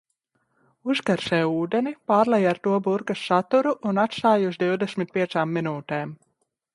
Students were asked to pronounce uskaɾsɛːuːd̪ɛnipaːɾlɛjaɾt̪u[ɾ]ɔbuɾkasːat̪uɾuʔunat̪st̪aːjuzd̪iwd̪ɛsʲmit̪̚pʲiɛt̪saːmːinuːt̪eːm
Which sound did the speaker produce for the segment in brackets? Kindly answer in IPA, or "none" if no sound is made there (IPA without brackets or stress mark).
none